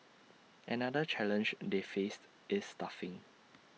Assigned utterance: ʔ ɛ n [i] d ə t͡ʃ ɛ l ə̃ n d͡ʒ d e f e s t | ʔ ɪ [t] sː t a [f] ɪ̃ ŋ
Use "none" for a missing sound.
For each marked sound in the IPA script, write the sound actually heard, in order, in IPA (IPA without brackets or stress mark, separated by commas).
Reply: a, none, f